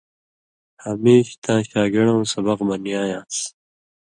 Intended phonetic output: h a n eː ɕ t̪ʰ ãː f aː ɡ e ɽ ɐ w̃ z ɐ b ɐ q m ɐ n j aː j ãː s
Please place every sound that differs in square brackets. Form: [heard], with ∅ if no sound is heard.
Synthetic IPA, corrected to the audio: h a [m] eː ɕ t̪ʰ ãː [ɕ] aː ɡ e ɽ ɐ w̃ [s] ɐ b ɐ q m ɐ n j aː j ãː s